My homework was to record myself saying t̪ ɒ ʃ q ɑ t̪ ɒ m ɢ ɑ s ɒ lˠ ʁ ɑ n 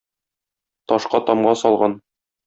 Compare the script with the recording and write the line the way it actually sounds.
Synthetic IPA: t̪ ɒ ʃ q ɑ t̪ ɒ m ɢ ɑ s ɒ lˠ ʁ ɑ n